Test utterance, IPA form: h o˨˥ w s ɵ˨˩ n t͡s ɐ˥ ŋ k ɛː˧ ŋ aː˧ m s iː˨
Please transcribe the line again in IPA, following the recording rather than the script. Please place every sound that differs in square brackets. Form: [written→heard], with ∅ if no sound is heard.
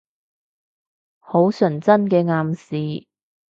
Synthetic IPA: h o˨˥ w s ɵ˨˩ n t͡s ɐ˥ [ŋ→n] k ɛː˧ ŋ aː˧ m s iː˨

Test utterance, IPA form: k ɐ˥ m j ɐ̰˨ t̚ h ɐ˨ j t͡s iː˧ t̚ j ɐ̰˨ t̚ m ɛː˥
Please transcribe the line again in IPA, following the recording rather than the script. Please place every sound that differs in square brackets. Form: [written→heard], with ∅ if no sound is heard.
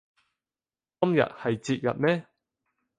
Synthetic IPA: k ɐ˥ m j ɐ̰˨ t̚ h ɐ˨ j t͡s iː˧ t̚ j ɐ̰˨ t̚ m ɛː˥

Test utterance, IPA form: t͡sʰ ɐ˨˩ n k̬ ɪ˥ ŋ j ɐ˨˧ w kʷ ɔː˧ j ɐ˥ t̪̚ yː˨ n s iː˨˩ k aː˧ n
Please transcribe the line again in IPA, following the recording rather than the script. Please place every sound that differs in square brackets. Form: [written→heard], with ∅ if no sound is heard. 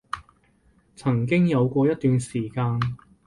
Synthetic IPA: t͡sʰ ɐ˨˩ [n→ŋ] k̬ ɪ˥ ŋ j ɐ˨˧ w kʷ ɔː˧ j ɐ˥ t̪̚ yː˨ n s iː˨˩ k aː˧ n

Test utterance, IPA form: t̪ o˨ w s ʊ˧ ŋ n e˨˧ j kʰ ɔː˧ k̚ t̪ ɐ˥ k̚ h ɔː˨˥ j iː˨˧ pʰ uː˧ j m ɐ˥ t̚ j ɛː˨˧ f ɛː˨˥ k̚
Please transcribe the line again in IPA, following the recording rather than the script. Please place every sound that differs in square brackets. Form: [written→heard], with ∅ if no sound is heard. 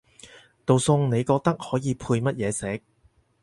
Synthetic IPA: t̪ o˨ w s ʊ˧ ŋ n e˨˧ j [kʰ→k] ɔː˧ k̚ t̪ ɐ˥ k̚ h ɔː˨˥ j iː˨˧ pʰ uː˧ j m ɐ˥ t̚ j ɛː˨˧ [f→s] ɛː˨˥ k̚

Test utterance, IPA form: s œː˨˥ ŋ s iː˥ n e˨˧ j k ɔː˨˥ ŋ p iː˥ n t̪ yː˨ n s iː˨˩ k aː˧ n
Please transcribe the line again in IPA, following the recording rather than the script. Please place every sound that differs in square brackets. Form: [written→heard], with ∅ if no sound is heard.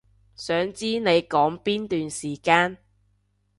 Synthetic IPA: s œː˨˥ ŋ [s→t͡s] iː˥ n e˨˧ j k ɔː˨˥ ŋ p iː˥ n t̪ yː˨ n s iː˨˩ k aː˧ n

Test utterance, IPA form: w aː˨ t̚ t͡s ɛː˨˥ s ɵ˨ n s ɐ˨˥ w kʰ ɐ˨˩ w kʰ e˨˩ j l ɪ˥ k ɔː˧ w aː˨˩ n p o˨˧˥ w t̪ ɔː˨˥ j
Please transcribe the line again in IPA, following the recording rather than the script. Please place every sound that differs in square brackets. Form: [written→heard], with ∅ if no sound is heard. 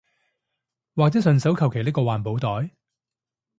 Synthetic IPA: w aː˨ [t̚→k̚] t͡s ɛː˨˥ s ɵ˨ n s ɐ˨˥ w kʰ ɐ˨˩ w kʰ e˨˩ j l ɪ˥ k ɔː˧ w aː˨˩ n p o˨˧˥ w t̪ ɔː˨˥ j

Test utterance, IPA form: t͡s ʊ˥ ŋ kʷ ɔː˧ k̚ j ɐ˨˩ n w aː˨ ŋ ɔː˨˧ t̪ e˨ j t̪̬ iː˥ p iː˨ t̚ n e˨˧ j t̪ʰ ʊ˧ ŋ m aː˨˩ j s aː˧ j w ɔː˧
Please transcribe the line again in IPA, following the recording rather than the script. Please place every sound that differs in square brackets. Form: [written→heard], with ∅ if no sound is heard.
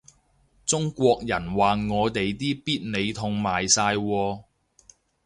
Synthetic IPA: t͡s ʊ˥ ŋ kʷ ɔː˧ k̚ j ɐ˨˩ n w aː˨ ŋ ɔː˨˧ t̪ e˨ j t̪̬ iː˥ p [iː˨→iː˥] t̚ n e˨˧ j t̪ʰ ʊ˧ ŋ m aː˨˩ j s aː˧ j w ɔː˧

